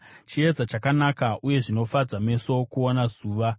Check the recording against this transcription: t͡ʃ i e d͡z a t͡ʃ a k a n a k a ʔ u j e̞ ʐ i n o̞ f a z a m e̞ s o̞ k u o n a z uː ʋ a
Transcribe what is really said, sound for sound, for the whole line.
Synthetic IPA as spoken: t͡ʃ i e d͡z a t͡ʃ a k a n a k a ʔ u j e̞ ʐ i n o̞ f a d͡z a m e̞ s o̞ k u o n a z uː ʋ a